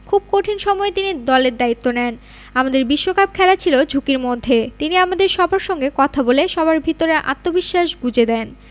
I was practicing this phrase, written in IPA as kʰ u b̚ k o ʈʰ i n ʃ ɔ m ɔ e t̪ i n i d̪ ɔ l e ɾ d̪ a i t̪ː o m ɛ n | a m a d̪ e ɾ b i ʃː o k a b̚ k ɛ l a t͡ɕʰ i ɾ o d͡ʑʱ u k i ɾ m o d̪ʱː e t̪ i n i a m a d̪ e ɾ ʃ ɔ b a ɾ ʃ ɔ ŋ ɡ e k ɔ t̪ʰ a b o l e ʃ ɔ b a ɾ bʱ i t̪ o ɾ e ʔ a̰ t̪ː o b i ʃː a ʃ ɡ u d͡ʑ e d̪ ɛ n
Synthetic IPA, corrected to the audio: kʰ u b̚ k o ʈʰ i n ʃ ɔ m ɔ e t̪ i n i d̪ ɔ l e ɾ d̪ a i t̪ː o n ɛ n | a m a d̪ e ɾ b i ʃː o k a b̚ kʰ ɛ l a t͡ɕʰ i l o d͡ʑʱ u k i ɾ m o d̪ʱː e t̪ i n i a m a d̪ e ɾ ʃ ɔ b a ɾ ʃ ɔ ŋ ɡ e k ɔ t̪ʰ a b o l e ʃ ɔ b a ɾ bʱ i t̪ o ɾ e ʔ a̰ t̪ː o b i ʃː a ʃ ɡ u d͡ʑ e d̪ ɛ n

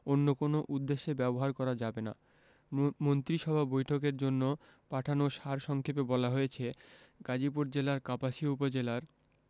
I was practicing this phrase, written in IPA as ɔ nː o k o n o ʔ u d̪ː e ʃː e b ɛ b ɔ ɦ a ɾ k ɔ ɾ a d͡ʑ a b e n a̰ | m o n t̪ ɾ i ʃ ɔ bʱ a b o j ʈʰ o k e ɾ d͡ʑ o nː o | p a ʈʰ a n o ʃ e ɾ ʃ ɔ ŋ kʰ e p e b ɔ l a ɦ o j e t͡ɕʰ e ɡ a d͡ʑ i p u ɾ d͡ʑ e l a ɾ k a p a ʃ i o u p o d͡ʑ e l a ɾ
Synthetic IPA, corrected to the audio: o nː o k o n o ʔ u d̪ː e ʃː e b ɛ b o ɦ a ɾ k ɔ ɾ a d͡ʑ a b e n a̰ | m o n t̪ ɾ i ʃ ɔ bʱ a b o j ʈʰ o k e ɾ d͡ʑ o nː o | p a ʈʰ a n o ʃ a ɾ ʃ ɔ ŋ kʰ e p e b ɔ l a ɦ o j e t͡ɕʰ e ɡ a d͡ʑ i p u ɾ d͡ʑ e l a ɾ k a p a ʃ i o u p o d͡ʑ e l a ɾ

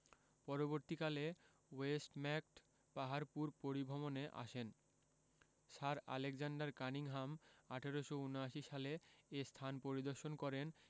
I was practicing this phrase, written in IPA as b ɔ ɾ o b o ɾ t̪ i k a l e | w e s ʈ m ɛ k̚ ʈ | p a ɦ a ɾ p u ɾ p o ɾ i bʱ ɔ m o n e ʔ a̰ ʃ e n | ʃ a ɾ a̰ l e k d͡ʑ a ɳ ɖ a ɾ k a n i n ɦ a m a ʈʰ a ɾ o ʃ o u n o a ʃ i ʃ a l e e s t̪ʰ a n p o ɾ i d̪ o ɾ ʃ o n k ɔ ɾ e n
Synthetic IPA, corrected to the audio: p ɔ ɾ o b o ɾ t̪ i k a l e | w e s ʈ m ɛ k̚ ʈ | p a ɦ a ɾ p u ɾ p o ɾ i bʱ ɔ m o n e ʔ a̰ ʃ e n | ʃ a ɾ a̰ l e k d͡ʑ a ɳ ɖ a ɾ k a n i ŋ ɦ a m a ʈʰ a ɾ o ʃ o u n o a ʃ i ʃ a l e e s t̪ʰ a n p o ɾ i d̪ o ɾ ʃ o n k ɔ ɾ e n

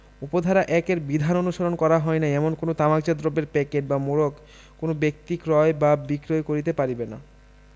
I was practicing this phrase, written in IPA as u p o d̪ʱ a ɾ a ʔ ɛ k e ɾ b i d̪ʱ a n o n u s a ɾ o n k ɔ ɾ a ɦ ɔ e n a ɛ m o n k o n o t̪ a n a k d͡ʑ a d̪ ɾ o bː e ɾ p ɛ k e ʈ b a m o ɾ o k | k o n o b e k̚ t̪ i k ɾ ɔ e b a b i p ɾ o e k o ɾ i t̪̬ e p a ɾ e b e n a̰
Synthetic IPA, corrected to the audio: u p o d̪ʱ a ɾ a ʔ ɛ k e ɾ b i d̪ʱ a n o n u ʃ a ɾ o n k ɔ ɾ a ɦ ɔ e n a ɛ m o n k o n o t̪ a m a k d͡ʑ a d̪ ɾ o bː e ɾ p ɛ k e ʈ b a m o ɾ o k | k o n o b e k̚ t̪ i k ɾ ɔ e b a b i k ɾ o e k o ɾ i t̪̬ e p a ɾ i b e n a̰

